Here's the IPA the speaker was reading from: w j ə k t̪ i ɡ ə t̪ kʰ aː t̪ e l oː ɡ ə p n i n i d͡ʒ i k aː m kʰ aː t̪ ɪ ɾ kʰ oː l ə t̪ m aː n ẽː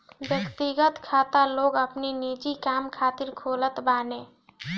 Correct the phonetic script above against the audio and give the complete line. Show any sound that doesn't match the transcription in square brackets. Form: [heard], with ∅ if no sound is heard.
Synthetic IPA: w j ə k t̪ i ɡ ə t̪ kʰ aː t̪ [a] l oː ɡ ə p n i n i d͡ʒ i k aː m kʰ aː t̪ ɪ ɾ kʰ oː l ə t̪ [b] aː n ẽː